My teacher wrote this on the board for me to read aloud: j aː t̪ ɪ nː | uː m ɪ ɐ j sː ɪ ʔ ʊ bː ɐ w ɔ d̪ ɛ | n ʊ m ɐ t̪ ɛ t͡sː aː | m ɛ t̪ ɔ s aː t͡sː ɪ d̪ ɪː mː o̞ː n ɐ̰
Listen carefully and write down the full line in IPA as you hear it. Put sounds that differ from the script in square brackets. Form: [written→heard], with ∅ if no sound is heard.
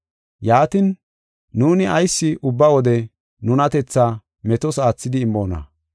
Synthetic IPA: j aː t̪ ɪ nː | uː [m→n] ɪ ɐ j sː ɪ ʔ ʊ bː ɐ w ɔ d̪ ɛ | n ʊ [m→n] ɐ t̪ ɛ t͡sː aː | m ɛ t̪ ɔ s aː t͡sː ɪ d̪ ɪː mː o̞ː n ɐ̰